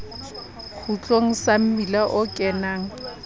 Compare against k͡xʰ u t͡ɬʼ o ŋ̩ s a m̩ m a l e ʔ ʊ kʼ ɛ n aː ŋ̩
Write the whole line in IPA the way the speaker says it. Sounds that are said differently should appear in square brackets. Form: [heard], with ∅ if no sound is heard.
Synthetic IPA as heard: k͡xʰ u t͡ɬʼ o ŋ̩ s a m̩ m [i] l [a] ʔ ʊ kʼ ɛ n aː ŋ̩